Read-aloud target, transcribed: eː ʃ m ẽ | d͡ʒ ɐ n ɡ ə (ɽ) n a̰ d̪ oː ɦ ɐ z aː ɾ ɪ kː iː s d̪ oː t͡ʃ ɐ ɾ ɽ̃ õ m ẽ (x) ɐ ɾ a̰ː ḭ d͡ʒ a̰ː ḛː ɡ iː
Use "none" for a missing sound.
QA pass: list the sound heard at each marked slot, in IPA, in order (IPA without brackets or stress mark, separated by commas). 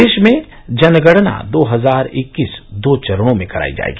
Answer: ɽ, k